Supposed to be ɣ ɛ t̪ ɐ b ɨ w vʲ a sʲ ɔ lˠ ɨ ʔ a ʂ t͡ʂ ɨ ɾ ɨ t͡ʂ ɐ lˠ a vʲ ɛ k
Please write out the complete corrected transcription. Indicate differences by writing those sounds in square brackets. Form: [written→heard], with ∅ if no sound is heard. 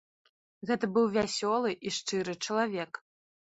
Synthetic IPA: ɣ ɛ t̪ ɐ b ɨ w vʲ a sʲ ɔ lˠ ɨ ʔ [a→i] ʂ t͡ʂ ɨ ɾ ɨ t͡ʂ ɐ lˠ a vʲ ɛ k